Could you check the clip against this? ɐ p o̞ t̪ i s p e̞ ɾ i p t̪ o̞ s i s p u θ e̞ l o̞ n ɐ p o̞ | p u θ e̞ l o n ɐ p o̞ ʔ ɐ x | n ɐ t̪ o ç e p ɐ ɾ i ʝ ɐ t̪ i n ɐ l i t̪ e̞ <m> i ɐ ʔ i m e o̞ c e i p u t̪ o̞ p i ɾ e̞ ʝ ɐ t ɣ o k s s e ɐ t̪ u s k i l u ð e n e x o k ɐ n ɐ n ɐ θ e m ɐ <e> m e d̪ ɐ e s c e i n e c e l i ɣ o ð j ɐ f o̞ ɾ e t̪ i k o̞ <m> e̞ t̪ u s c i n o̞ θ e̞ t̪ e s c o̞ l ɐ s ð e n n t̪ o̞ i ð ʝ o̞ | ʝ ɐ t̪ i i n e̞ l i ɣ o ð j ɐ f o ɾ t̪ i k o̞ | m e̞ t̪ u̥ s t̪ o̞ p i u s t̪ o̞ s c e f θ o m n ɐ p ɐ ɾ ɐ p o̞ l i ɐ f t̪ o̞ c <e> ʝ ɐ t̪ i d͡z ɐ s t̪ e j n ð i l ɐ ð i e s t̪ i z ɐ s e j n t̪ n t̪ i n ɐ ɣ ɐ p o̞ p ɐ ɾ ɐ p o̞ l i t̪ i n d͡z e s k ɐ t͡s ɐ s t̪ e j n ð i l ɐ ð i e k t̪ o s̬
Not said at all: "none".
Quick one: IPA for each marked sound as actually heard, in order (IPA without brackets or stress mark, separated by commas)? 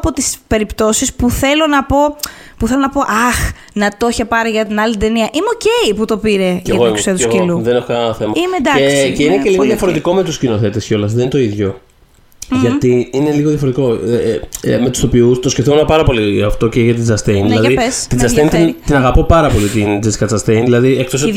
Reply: n, i, m, e